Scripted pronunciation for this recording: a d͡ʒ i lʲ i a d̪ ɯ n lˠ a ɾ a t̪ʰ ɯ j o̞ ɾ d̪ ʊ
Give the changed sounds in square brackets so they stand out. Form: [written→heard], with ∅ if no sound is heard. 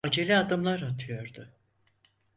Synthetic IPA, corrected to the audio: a d͡ʒ [i→e] lʲ i a d̪ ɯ [n→m] lˠ a ɾ a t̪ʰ ɯ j o̞ ɾ d̪ ʊ